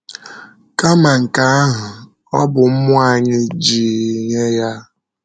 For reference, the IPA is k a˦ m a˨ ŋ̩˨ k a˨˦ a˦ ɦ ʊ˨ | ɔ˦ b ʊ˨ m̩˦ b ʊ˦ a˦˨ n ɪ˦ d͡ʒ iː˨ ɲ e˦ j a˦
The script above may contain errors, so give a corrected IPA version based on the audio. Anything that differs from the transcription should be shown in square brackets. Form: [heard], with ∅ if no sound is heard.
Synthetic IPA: k a˦ m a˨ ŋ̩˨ k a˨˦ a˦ ɦ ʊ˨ | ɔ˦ b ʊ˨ m̩˦ [m] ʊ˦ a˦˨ [ɲ] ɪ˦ d͡ʒ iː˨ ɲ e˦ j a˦

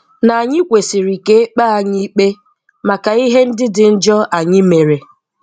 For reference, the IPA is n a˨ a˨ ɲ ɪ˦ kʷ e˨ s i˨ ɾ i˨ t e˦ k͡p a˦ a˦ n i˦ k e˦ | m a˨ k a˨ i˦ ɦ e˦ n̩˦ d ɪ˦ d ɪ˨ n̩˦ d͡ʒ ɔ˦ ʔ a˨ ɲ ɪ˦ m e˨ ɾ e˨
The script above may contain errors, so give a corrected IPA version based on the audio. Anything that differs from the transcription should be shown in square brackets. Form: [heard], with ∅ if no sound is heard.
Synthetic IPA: n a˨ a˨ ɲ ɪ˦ kʷ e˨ s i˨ ɾ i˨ [k] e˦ k͡p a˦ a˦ [ɲ] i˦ [k͡p] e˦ | m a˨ k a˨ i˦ ɦ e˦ n̩˦ d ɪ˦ d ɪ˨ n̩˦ d͡ʒ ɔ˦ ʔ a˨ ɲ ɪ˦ m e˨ ɾ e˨

